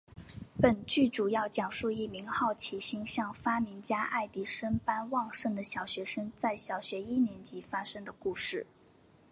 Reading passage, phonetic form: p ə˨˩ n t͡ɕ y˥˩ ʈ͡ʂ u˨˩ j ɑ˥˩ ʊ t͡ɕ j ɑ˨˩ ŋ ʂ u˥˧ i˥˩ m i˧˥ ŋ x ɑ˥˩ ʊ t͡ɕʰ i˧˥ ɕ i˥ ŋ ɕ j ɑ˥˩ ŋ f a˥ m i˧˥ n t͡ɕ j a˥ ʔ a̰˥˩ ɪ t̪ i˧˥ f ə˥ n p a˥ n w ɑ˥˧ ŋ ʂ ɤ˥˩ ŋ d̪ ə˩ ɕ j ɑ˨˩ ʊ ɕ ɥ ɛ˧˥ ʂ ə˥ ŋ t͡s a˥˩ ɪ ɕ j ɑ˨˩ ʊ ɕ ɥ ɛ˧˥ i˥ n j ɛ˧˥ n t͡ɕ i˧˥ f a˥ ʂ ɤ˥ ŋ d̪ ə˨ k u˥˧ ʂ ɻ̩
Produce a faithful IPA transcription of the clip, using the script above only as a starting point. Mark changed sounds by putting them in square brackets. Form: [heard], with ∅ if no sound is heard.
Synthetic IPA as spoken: p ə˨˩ n t͡ɕ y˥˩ ʈ͡ʂ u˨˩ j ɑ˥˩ ʊ t͡ɕ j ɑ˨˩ ŋ ʂ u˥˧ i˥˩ m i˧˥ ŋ x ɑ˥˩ ʊ t͡ɕʰ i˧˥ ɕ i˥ ŋ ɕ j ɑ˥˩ ŋ f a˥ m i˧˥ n t͡ɕ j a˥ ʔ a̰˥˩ ɪ t̪ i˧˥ [ʂ] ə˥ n p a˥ n w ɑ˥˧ ŋ ʂ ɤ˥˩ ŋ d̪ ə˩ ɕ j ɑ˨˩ ʊ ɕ ɥ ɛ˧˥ ʂ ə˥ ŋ t͡s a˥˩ ɪ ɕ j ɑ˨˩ ʊ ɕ ɥ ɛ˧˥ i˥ n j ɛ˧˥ n t͡ɕ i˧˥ f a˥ ʂ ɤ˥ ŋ d̪ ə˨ k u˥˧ ʂ ɻ̩